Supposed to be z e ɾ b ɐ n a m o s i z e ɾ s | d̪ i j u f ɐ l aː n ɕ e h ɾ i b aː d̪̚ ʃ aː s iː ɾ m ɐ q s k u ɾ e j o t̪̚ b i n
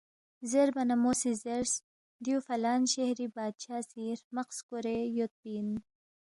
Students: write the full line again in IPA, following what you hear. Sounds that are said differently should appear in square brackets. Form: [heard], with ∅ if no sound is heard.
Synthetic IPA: z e ɾ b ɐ n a m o s i z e ɾ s | d̪ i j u f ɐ l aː n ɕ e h ɾ i b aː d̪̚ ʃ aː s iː ɾ m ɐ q s k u ɾ e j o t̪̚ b i n